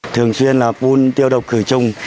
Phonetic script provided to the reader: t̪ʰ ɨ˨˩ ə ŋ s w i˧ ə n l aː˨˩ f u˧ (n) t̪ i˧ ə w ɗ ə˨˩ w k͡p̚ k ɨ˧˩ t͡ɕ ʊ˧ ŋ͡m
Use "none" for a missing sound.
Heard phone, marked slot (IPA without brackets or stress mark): n